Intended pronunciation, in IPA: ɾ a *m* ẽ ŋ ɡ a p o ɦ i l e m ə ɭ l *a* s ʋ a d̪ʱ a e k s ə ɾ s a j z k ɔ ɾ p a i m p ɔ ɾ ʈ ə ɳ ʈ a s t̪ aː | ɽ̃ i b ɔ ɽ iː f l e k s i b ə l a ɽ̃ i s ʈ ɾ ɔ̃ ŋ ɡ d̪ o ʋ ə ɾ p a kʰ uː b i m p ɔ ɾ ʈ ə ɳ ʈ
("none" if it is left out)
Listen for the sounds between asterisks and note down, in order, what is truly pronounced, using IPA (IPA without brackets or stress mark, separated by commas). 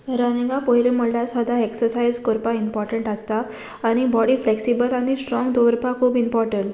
n, a